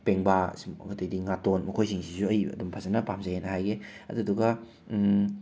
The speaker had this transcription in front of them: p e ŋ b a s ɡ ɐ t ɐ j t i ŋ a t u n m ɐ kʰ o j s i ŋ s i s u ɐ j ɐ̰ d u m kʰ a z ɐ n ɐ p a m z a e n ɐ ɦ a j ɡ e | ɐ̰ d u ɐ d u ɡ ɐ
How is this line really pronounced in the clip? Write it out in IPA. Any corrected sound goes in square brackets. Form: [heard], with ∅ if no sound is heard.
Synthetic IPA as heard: p e ŋ b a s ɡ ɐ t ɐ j [d] i ŋ a t [o] n m ɐ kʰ o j s i ŋ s i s u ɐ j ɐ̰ d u m [pʰ] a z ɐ n ɐ p a m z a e n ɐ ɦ a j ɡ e | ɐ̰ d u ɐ d u ɡ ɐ